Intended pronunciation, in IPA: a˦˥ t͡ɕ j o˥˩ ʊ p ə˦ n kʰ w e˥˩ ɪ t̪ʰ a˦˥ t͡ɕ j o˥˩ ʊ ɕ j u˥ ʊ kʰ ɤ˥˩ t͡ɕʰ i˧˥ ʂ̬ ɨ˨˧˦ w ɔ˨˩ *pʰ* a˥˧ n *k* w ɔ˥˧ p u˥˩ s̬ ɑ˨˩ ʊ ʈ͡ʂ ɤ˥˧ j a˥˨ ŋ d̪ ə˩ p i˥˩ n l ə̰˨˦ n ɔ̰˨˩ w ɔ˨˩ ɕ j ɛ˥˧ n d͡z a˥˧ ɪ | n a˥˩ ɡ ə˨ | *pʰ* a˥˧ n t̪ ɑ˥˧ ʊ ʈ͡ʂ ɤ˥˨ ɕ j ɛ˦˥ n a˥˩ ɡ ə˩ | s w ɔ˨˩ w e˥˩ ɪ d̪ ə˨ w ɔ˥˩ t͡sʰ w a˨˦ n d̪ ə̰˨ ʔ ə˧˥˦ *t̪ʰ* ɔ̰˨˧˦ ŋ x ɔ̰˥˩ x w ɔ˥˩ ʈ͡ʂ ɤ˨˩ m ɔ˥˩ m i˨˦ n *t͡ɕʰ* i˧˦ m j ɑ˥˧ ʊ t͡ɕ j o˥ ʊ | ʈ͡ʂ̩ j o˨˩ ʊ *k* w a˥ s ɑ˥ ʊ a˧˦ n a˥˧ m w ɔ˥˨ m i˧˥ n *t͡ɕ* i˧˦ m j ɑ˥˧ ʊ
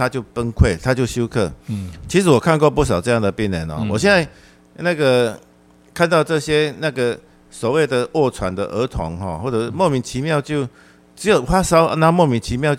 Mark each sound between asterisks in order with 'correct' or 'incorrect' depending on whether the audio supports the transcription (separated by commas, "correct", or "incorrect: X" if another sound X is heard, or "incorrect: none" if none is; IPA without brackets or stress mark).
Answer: incorrect: kʰ, correct, incorrect: kʰ, correct, correct, incorrect: x, incorrect: t͡ɕʰ